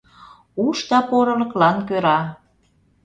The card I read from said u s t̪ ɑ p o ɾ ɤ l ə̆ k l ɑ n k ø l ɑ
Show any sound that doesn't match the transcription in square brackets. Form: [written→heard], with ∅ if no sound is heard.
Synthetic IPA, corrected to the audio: u [s→ʃ] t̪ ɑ p o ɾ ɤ l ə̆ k l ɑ n k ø [l→ɾ] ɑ